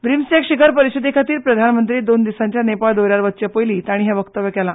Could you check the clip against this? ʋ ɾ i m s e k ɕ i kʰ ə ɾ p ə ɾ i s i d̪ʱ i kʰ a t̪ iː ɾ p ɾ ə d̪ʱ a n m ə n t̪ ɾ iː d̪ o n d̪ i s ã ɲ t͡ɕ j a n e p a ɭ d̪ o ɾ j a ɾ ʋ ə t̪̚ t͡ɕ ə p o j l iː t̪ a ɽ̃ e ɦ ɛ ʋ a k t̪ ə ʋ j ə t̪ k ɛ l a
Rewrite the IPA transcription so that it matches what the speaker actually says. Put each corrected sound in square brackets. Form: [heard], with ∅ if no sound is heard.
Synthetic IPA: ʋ ɾ i m s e k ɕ i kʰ ə ɾ p ə ɾ i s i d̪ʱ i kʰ a t̪ iː ɾ p ɾ ə d̪ʱ a n m ə n t̪ ɾ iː d̪ o n d̪ i s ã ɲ t͡ɕ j a n e p a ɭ d̪ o ɾ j a ɾ ʋ ə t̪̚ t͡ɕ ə p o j l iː t̪ a ɽ̃ [i] ɦ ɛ ʋ [ə] k t̪ ə ʋ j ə [∅] k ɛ l a